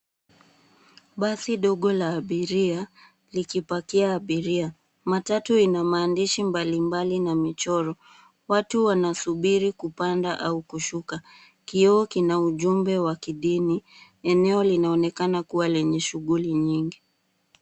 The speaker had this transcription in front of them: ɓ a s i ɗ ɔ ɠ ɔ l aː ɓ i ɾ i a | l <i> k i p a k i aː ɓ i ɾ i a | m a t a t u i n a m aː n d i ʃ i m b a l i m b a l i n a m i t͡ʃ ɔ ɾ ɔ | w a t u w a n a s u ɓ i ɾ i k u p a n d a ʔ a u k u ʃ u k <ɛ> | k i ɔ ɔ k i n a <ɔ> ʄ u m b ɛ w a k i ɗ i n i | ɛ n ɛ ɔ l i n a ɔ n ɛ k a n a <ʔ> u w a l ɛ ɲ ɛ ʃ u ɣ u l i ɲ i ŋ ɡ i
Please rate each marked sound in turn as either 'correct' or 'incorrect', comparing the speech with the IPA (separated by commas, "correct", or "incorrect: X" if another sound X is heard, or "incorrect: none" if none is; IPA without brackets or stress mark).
correct, incorrect: a, incorrect: u, incorrect: k